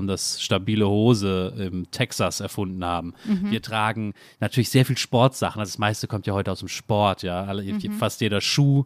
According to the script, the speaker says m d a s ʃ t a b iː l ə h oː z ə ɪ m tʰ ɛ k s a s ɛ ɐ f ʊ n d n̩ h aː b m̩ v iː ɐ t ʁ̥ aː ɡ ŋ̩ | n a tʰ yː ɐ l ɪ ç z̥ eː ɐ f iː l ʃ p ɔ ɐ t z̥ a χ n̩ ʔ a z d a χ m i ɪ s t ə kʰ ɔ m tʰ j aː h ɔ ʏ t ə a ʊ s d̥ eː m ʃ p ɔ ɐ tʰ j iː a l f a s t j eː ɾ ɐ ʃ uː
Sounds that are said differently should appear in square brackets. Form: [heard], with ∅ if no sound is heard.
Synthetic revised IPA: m d a s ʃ t a b iː l ə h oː z ə ɪ m tʰ ɛ k s a s ɛ ɐ f ʊ n d n̩ h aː b m̩ v iː ɐ t ʁ̥ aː ɡ ŋ̩ | n a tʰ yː ɐ l ɪ ç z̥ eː ɐ f iː l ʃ p ɔ ɐ t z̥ a χ n̩ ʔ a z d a [s] m [a] ɪ s t ə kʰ ɔ m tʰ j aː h ɔ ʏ t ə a ʊ s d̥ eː m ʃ p ɔ ɐ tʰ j [aː] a l f a s t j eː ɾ ɐ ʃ uː